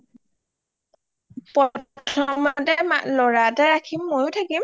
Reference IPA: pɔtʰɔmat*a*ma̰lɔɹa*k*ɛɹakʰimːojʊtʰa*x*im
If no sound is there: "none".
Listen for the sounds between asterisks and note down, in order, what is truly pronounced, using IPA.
ɛ, t, k

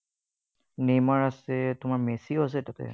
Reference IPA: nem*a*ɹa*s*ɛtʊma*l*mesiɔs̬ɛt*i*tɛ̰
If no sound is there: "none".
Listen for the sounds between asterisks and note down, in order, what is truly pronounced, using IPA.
a, s, ɹ, a

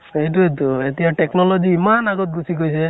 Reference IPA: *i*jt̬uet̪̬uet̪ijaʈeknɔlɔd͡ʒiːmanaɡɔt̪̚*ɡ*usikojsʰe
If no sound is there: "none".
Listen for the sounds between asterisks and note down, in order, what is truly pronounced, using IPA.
e, ɡ

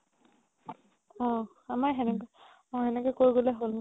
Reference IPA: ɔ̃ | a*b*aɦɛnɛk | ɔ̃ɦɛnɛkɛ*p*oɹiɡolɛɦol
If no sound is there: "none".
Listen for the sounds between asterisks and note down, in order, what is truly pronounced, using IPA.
m, k

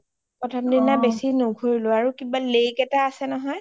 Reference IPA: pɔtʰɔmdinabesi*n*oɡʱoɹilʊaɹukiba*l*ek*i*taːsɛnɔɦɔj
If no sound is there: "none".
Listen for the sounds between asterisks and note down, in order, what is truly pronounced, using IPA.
n, l, ɛ

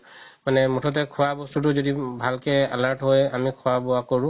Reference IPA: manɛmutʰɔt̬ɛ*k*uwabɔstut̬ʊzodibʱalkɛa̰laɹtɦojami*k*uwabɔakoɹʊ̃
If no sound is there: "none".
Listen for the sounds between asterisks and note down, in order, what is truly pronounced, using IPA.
kʰ, kʰ

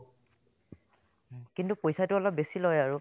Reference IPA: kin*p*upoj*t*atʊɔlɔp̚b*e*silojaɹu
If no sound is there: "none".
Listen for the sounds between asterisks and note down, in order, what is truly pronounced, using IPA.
t, s, e

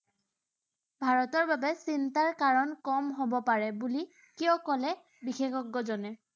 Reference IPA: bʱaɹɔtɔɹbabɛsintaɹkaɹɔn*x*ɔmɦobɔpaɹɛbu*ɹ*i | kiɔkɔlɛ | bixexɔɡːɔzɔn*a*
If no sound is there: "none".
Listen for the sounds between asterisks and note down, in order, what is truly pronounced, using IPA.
k, l, ɛ

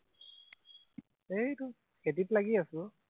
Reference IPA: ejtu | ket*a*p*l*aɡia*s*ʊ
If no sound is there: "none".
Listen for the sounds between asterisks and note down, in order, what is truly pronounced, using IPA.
i, l, s

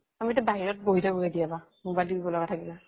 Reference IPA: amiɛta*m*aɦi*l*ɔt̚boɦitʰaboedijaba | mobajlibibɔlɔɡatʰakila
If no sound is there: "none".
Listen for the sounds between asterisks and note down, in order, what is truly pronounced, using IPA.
b, ɹ

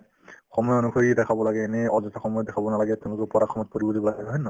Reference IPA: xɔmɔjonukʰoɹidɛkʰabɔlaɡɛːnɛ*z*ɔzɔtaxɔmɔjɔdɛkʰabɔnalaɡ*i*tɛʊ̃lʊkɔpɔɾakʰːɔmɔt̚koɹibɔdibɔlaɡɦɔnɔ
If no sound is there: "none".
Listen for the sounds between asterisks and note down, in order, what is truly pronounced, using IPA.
none, ɛ

